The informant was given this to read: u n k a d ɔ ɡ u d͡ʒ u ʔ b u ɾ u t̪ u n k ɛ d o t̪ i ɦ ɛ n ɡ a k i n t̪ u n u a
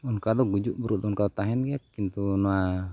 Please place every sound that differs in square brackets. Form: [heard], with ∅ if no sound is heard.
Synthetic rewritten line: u n k a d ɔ ɡ u d͡ʒ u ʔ b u ɾ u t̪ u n k [a] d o t̪ [a] ɦ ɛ n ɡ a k i n t̪ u n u a